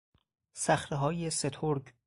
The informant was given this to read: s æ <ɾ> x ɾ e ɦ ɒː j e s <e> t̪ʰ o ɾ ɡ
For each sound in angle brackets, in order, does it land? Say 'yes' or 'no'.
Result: no, yes

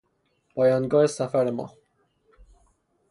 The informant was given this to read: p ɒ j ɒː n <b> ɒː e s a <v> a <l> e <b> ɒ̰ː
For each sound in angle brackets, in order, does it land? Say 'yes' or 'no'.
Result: no, no, no, no

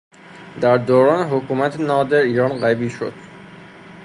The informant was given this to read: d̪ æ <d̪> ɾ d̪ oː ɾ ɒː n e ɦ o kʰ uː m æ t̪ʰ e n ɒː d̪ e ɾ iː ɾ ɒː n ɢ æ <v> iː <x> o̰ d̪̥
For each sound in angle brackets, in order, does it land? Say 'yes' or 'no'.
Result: no, no, no

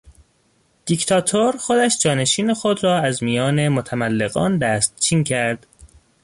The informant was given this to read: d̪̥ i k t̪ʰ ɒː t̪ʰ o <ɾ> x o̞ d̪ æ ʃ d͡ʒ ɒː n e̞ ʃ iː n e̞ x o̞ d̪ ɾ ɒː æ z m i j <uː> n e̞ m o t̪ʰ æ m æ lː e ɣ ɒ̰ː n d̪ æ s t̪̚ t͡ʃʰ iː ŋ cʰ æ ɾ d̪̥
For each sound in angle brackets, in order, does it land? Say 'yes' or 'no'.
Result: yes, no

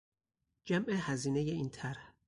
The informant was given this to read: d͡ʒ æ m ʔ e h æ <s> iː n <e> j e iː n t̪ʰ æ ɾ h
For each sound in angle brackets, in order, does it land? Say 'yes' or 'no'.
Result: no, yes

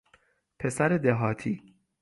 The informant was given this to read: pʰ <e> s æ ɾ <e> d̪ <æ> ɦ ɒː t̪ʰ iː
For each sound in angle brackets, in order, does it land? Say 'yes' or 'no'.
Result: yes, yes, no

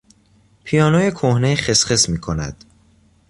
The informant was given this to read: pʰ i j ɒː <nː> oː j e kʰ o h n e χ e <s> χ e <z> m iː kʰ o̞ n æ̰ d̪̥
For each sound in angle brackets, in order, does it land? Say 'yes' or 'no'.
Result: no, yes, no

